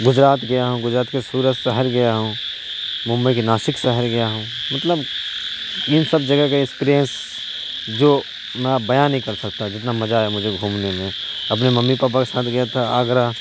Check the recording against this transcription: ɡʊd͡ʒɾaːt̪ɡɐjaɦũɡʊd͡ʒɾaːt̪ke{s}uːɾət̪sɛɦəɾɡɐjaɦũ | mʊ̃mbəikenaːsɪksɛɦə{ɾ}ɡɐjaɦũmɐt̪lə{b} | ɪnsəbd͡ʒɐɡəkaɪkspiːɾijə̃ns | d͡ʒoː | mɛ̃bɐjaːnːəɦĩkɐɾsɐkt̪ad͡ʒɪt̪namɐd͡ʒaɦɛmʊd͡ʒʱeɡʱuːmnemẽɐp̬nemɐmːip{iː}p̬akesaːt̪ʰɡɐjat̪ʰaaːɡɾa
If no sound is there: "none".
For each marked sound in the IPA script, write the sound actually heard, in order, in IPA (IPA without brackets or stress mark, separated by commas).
s, ɾ, b, aː